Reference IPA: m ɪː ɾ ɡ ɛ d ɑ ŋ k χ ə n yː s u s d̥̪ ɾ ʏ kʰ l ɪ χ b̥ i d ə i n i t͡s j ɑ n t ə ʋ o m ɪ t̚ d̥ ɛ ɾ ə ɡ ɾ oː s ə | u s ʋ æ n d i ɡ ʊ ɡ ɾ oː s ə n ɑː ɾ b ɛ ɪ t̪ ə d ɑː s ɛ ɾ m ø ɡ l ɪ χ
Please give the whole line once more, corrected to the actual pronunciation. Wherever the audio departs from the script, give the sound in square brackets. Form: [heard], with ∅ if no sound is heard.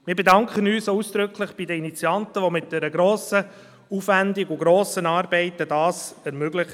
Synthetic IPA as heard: m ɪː ɾ [b] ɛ d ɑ ŋ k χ ə n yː s u s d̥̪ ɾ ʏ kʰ l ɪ χ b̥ i d ə i n i t͡s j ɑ n t ə ʋ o m ɪ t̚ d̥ ɛ ɾ ə ɡ ɾ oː s ə | u [f] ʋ æ n d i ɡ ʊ ɡ ɾ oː s ə n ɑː ɾ b ɛ ɪ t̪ ə d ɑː s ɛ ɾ m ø ɡ l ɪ χ